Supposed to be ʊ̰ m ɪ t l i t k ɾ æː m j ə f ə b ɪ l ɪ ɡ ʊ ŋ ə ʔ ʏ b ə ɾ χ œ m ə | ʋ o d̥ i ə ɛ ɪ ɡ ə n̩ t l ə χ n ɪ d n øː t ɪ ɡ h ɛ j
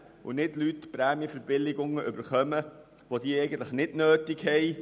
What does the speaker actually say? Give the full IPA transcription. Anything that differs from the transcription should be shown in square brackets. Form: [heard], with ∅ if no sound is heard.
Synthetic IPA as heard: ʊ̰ [n] ɪ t l [y] t [p] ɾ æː m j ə f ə b ɪ l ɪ ɡ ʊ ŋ ə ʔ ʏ b ə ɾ χ œ m ə | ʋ o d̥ i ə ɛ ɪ ɡ ə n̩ t l ə χ n ɪ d n øː t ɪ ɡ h ɛ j